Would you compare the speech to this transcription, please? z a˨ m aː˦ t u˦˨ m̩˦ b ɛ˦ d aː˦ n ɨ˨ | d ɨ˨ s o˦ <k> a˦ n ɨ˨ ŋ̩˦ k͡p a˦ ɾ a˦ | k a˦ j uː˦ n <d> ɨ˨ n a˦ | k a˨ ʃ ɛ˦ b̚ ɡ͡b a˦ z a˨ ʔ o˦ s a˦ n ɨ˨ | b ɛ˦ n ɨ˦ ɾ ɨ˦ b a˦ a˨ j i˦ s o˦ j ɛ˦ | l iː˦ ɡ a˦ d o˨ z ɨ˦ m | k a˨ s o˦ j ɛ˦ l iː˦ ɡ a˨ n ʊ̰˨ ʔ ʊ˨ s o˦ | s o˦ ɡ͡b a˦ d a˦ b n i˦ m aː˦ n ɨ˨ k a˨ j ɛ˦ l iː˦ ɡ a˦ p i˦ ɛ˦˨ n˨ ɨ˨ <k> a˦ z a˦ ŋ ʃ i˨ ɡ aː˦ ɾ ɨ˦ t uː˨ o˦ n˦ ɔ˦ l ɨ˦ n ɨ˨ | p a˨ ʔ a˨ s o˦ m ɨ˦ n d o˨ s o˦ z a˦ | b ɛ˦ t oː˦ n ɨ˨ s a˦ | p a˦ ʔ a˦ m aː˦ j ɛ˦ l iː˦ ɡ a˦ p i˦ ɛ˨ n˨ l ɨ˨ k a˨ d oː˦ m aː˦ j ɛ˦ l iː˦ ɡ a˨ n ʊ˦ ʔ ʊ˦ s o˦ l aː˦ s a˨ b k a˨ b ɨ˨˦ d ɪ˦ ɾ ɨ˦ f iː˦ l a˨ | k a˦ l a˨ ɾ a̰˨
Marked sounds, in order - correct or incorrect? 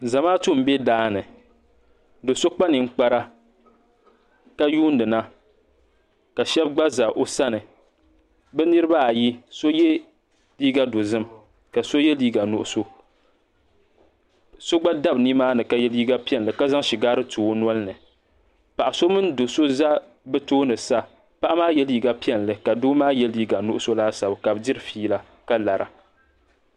incorrect: k͡p, correct, correct

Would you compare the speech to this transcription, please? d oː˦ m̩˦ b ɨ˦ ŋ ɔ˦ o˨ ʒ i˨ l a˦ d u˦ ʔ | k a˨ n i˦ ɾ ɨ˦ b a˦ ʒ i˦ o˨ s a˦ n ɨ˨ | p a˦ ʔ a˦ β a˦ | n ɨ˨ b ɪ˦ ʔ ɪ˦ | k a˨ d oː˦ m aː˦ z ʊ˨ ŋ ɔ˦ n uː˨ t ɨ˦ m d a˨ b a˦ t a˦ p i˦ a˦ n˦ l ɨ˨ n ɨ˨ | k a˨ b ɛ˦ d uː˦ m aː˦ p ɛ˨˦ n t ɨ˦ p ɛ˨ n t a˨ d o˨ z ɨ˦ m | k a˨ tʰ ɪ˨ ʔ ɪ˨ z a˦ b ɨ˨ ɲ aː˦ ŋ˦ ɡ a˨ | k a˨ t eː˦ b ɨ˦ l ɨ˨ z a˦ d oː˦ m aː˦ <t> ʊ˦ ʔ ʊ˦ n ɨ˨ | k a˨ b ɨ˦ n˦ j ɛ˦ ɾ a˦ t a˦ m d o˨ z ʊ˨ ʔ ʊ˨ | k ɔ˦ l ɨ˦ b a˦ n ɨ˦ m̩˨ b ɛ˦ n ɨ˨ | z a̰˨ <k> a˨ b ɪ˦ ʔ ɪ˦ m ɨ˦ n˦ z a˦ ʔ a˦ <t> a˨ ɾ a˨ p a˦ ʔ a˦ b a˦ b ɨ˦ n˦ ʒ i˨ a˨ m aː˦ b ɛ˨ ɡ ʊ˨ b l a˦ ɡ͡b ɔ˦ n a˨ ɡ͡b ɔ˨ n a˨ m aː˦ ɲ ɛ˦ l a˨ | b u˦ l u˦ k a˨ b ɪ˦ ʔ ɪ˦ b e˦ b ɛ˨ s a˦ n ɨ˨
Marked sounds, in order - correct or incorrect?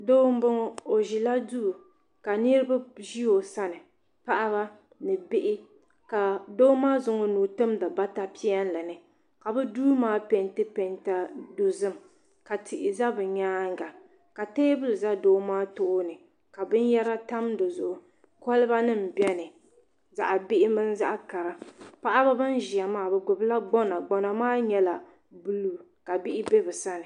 correct, incorrect: ʔ, incorrect: k

